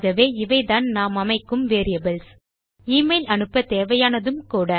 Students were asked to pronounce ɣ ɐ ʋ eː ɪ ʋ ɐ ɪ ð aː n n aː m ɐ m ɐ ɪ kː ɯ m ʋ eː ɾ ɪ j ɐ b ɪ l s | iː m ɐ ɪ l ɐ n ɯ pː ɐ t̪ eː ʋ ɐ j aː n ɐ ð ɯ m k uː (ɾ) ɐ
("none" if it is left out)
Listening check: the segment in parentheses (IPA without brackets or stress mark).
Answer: ɽ